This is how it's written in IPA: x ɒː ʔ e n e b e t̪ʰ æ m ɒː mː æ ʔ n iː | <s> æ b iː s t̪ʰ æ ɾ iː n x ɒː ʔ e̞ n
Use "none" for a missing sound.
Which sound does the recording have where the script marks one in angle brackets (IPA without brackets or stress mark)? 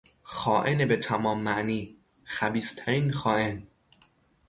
x